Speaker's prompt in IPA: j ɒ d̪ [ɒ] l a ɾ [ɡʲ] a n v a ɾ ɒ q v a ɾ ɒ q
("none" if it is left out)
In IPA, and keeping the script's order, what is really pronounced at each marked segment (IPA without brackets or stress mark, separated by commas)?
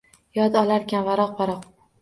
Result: ɒ, kʲ